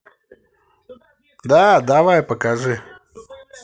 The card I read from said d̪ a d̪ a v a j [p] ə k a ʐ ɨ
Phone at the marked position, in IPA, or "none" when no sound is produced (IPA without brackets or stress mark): p